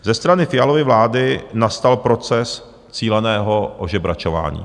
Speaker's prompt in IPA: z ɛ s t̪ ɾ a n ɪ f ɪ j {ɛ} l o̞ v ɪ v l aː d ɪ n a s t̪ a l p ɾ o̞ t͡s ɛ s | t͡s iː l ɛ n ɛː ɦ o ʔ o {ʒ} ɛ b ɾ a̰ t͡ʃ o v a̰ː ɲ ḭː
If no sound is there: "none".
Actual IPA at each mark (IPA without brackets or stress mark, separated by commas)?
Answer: a, ʒ